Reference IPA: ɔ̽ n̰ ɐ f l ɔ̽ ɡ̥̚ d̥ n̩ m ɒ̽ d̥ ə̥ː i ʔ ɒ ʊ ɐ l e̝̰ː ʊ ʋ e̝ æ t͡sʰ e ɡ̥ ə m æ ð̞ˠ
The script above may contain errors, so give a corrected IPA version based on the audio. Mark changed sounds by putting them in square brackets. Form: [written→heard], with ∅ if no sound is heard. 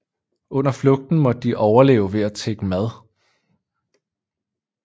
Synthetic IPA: ɔ̽ n̰ ɐ f l ɔ̽ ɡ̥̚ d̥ n̩ m ɒ̽ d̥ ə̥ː i ʔ ɒ ʊ ɐ l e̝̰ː ʊ ʋ e̝ æ t͡sʰ e ɡ̥ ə m æ ð̞ˠ